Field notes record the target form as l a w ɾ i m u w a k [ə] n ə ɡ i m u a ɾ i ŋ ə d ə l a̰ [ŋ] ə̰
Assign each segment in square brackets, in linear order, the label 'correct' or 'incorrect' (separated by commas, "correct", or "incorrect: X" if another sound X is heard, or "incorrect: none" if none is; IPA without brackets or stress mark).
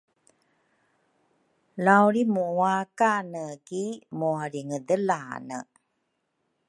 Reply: incorrect: a, incorrect: n